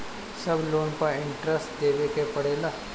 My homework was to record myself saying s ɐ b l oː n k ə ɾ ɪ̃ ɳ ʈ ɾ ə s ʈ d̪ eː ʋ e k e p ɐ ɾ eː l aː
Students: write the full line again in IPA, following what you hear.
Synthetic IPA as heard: s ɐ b l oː n p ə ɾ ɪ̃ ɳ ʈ ɾ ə s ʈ d̪ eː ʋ e k e p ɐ ɽ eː l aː